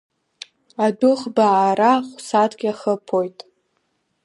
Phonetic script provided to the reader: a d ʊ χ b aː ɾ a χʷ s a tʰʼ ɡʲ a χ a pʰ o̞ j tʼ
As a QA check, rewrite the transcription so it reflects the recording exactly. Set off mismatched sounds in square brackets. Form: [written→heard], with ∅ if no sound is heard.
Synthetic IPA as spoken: a d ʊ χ b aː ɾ a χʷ s a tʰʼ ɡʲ a χ [a→ə] pʰ o̞ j tʼ